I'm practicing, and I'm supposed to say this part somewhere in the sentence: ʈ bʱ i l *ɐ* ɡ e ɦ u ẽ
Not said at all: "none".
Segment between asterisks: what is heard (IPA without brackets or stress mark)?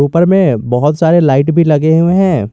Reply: ɐ